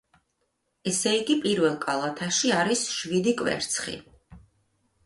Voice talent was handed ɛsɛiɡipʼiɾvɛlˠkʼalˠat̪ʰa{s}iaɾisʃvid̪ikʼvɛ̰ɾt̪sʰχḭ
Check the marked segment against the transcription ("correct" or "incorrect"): incorrect